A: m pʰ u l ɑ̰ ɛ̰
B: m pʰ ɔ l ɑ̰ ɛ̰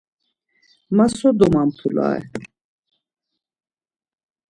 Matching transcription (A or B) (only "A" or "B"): A